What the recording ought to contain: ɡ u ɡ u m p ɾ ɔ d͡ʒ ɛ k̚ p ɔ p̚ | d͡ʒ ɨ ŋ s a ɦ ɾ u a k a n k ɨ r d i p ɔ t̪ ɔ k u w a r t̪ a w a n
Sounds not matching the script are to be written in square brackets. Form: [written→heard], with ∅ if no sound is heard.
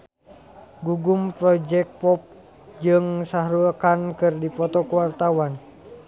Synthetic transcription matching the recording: ɡ u ɡ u m p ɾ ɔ d͡ʒ ɛ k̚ p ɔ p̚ | d͡ʒ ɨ ŋ s a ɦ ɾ u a k a n k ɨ r d i p ɔ t̪ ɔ k u w a r t̪ a w a n

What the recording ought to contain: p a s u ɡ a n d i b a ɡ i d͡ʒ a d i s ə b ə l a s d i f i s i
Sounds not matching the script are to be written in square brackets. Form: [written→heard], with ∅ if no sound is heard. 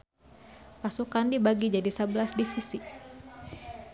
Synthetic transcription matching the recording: p a s u [ɡ→k] a n d i b a ɡ i d͡ʒ a d i s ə b ə l a s d i f i s i

